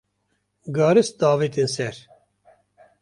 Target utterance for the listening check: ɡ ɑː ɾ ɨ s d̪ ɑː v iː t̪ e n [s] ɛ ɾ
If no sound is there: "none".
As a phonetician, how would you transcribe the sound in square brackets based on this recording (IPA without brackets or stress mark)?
s